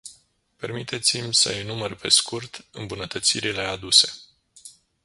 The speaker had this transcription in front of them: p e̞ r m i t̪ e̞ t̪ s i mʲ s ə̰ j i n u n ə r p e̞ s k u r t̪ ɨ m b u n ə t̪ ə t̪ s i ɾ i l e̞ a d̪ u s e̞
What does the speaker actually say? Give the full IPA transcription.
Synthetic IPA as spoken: p e̞ r m i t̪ e̞ t̪ s i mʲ s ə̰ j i n u m ə r p e̞ s k u r t̪ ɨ m b u n ə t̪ ə t̪ s i ɾ i l e̞ a d̪ u s e̞